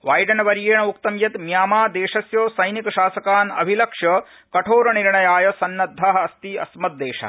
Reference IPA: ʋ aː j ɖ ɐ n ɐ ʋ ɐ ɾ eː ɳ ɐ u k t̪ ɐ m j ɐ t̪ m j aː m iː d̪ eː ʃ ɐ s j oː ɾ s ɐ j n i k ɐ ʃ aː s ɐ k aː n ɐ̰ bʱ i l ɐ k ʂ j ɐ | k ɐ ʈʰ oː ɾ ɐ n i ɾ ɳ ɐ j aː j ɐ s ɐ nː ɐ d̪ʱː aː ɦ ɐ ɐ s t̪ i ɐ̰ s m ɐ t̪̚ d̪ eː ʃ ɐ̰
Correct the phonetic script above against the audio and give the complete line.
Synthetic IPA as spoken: ʋ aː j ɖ ɐ n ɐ ʋ ɐ ɾ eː ɳ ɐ u k t̪ ɐ m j ɐ t̪ m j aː m aː d̪ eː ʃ ɐ s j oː s ɐ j n i k ɐ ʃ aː s ɐ k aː n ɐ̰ bʱ i l ɐ k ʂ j ɐ | k ɐ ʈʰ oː ɾ ɐ n i ɾ ɳ ɐ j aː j ɐ s ɐ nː ɐ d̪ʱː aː ɦ ɐ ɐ s t̪ i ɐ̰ s m ɐ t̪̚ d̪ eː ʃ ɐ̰